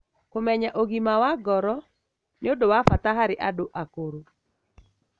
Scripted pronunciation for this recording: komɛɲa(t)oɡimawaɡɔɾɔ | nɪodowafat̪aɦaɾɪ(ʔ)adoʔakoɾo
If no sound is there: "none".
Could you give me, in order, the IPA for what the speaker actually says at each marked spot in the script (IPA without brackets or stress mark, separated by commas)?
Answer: ʔ, ʔ